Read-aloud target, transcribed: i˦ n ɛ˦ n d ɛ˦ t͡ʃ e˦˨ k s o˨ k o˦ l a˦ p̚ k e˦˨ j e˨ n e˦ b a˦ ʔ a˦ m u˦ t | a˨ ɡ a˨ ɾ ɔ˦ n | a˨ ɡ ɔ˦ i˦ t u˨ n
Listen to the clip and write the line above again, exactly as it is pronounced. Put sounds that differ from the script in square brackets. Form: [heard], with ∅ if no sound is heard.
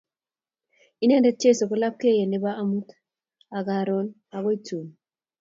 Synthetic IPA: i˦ n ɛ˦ n d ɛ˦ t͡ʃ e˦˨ [∅] s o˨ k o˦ l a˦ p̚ k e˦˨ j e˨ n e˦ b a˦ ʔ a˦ m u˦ t | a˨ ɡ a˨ ɾ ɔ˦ n | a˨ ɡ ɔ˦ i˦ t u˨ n